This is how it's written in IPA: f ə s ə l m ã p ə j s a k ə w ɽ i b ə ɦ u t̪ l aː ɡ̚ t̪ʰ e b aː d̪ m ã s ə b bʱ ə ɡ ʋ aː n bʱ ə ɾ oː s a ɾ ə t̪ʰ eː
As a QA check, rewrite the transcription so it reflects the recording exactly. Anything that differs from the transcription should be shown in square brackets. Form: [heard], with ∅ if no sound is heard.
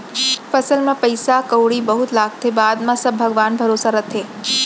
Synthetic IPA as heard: f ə s ə l m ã p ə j s a k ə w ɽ i b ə ɦ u t̪ l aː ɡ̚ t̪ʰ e b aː d̪ m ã s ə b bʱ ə ɡ ʋ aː n bʱ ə ɾ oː s a ɾ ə t̪ʰ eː